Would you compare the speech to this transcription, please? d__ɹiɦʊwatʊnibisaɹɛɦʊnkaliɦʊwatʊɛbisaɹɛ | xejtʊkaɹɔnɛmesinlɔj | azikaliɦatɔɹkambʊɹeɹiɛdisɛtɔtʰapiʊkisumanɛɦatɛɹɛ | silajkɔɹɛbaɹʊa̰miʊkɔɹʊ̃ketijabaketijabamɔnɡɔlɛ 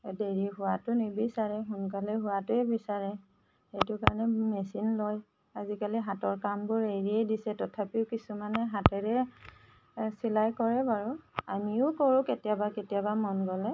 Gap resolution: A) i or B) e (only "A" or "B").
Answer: B